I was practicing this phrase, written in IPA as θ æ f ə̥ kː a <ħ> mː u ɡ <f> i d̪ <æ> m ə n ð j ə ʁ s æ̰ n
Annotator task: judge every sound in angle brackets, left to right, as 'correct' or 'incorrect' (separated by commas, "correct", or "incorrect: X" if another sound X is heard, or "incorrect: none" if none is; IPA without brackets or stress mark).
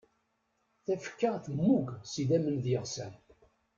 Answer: incorrect: θ, incorrect: s, correct